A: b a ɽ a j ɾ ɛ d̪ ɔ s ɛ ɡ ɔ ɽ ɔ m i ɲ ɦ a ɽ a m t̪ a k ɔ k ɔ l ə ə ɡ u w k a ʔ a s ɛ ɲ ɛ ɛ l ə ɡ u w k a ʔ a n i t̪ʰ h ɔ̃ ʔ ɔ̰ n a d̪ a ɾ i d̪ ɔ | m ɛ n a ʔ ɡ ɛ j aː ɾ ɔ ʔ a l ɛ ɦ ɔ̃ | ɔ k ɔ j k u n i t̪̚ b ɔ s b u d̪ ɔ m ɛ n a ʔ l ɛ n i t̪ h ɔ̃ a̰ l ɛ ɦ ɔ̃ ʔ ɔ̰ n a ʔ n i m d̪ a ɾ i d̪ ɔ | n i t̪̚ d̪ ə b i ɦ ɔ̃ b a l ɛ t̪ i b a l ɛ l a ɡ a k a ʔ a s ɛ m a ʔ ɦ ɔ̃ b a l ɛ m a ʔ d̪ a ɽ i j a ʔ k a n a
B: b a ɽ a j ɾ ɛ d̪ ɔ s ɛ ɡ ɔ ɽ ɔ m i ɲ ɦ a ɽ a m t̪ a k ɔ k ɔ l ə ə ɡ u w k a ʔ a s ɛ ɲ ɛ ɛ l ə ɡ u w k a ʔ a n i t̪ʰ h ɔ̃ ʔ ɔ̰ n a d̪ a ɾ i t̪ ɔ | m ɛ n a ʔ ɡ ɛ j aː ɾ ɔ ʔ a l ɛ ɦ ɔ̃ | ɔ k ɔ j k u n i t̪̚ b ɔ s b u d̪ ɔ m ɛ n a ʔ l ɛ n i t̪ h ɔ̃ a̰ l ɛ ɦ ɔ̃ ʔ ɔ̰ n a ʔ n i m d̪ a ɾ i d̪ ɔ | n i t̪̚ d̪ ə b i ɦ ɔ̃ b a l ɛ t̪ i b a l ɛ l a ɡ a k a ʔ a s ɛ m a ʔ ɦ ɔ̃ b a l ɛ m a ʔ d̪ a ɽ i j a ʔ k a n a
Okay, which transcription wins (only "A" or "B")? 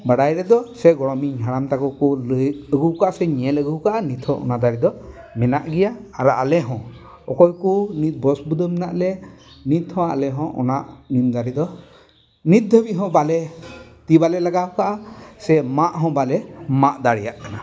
A